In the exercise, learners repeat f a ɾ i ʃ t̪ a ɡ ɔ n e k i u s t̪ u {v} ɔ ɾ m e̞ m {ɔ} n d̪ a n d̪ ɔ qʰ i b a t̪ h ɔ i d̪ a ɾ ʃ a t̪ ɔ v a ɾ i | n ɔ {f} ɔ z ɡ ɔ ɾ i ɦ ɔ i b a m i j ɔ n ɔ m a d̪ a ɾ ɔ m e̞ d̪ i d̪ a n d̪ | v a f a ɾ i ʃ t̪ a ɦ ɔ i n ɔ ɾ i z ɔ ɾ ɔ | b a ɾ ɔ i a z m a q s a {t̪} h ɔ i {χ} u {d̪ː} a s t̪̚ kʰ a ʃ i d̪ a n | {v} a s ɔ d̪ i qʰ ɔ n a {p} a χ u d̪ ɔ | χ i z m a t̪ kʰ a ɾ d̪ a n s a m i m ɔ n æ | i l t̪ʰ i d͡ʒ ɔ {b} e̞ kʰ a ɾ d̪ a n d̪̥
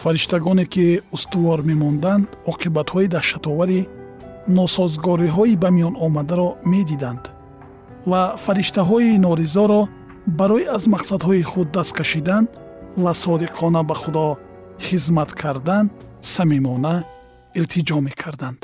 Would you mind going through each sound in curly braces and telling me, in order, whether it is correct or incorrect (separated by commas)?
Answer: correct, correct, incorrect, incorrect, correct, correct, correct, incorrect, incorrect